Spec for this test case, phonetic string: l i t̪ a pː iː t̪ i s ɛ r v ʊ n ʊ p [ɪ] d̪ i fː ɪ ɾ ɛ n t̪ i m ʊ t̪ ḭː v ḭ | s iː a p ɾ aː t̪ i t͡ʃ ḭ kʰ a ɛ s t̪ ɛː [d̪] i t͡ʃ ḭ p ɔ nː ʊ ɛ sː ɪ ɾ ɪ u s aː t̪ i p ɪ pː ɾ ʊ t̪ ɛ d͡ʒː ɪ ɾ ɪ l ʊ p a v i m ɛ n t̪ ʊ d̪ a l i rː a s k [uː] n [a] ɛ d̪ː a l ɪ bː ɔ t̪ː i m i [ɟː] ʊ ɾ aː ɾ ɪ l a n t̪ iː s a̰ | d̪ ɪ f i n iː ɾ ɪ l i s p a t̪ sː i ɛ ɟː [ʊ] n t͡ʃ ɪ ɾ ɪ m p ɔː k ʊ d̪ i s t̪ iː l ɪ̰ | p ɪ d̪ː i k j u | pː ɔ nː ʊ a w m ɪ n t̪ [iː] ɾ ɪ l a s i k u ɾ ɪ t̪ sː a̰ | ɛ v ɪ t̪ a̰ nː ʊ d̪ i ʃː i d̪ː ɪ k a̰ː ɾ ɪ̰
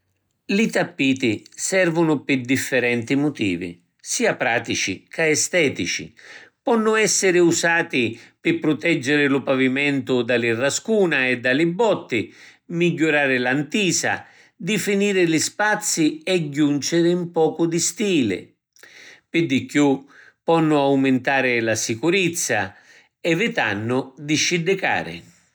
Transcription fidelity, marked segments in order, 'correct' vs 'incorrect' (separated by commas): correct, incorrect, correct, correct, correct, incorrect, incorrect